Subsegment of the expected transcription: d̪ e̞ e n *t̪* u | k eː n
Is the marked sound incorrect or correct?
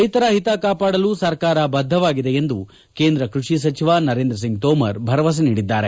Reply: incorrect